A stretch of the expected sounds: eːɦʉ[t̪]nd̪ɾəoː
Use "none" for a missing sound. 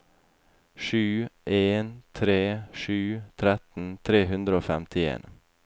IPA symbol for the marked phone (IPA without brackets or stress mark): none